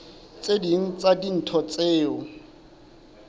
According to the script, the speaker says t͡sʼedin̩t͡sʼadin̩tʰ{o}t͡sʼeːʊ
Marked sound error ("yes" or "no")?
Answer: yes